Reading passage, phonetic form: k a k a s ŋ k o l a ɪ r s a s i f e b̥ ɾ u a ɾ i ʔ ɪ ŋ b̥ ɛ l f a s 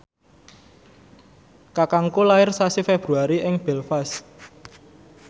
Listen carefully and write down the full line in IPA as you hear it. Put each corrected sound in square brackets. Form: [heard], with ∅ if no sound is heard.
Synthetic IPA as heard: k a k a [∅] ŋ k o l a ɪ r s a s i f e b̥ ɾ u a ɾ i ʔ ɪ ŋ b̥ ɛ l f a s